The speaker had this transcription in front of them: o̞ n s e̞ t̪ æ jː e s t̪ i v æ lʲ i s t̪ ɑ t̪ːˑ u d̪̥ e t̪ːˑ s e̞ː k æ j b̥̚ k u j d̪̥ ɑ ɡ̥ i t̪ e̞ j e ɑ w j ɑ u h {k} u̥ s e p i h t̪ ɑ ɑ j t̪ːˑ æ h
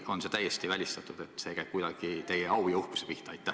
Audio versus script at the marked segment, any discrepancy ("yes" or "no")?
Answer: no